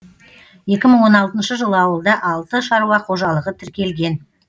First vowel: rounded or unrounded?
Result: unrounded